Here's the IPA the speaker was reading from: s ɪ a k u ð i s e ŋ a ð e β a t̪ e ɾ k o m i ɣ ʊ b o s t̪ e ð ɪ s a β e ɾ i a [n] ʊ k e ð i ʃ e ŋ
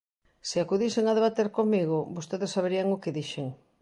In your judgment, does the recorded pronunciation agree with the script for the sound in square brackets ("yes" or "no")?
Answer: no